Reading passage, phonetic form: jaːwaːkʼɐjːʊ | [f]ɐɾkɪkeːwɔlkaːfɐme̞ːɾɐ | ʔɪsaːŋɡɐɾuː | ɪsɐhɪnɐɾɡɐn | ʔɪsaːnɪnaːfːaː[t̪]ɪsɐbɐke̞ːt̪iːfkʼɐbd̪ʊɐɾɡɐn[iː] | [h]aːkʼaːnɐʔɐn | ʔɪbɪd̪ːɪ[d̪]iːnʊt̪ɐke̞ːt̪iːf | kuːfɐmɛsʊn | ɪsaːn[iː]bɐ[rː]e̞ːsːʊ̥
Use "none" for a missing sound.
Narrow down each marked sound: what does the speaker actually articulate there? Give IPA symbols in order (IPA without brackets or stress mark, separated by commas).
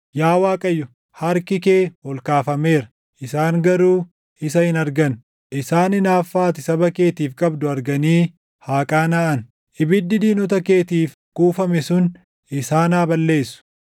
h, t̪, iː, h, d̪, aː, lː